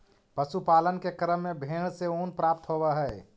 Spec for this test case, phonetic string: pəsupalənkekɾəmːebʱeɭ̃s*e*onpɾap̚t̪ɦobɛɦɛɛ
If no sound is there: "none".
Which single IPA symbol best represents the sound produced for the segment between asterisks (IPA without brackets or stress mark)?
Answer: e